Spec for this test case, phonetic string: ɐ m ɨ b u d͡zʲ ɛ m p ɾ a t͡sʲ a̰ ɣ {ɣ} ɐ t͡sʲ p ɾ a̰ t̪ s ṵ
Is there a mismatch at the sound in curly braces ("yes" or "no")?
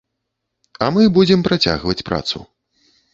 yes